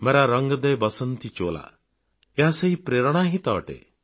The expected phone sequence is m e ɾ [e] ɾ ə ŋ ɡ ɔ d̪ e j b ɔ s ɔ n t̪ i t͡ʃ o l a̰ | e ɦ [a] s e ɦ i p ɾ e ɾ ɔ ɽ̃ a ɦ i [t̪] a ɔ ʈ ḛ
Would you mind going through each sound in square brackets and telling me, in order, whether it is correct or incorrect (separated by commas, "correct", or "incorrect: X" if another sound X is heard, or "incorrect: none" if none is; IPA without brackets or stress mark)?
incorrect: a, correct, correct